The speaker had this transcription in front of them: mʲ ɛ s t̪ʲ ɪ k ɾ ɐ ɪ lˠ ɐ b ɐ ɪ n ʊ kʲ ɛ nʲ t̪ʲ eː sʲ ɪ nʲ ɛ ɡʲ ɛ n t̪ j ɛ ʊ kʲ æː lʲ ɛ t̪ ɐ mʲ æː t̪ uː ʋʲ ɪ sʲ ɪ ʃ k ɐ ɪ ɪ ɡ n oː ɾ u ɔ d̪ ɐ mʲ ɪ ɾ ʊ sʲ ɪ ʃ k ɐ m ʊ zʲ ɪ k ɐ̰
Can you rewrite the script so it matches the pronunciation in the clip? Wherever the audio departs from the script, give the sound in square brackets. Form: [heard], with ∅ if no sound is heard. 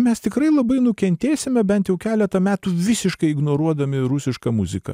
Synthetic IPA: mʲ ɛ s t̪ʲ ɪ k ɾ ɐ ɪ lˠ ɐ b ɐ ɪ n ʊ kʲ ɛ nʲ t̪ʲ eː sʲ ɪ [mʲ] ɛ [bʲ] ɛ n t̪ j ɛ ʊ kʲ æː lʲ ɛ t̪ ɐ mʲ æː t̪ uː ʋʲ ɪ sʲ ɪ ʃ k ɐ ɪ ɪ ɡ n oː ɾ u ɔ d̪ ɐ mʲ ɪ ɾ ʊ sʲ ɪ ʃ k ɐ m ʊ zʲ ɪ k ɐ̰